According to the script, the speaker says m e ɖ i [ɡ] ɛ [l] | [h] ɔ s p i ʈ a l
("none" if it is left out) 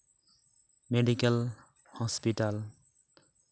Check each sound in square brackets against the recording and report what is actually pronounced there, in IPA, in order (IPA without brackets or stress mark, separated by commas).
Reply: k, l, h